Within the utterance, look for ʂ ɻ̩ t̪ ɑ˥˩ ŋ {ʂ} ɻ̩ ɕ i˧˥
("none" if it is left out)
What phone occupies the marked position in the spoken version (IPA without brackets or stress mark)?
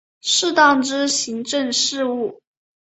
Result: ʈ͡ʂ